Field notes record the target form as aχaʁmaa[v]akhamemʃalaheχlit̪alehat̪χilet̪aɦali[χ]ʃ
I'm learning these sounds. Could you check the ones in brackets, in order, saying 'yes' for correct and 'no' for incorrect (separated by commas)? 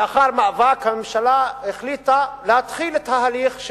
yes, yes